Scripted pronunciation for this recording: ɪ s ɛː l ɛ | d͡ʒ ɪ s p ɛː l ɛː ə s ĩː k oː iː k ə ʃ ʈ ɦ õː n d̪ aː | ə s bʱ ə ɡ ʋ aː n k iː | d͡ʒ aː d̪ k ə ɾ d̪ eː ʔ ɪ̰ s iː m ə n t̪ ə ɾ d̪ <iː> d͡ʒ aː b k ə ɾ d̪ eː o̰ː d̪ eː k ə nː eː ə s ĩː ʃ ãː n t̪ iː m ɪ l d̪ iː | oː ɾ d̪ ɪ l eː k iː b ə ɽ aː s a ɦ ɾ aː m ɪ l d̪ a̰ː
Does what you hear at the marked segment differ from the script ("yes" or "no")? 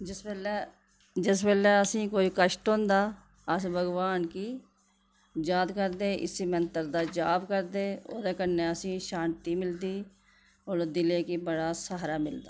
yes